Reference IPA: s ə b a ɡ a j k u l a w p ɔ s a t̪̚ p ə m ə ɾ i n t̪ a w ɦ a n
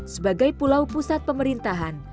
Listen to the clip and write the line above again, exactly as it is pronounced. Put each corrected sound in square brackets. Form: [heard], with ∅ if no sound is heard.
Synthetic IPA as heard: s ə b a ɡ a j [p] u l a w p [u] s a t̪̚ p ə m ə ɾ i n t̪ a [∅] ɦ a n